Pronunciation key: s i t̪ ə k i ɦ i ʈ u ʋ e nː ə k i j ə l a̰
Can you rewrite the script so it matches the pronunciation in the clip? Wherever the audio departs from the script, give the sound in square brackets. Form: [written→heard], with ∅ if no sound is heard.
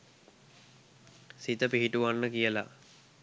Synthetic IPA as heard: s i t̪ ə [k→p] i ɦ i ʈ u ʋ [e→a] nː ə k i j ə l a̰